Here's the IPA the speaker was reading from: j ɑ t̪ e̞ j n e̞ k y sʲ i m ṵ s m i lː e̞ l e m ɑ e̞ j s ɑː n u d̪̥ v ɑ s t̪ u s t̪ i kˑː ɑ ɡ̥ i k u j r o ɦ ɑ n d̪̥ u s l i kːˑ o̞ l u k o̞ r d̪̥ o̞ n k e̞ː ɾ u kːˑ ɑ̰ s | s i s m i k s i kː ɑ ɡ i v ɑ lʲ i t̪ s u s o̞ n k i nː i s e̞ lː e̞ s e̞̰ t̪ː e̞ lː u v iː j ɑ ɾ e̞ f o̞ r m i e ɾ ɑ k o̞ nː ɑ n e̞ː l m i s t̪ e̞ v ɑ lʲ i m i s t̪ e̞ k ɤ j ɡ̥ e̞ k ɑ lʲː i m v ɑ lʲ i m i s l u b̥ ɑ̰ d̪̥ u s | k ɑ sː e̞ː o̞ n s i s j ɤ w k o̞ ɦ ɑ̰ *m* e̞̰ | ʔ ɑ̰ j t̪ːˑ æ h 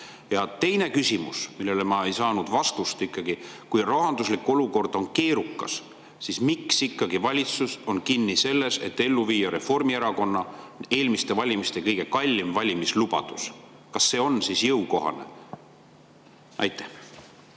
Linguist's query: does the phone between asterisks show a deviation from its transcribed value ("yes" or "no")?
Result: yes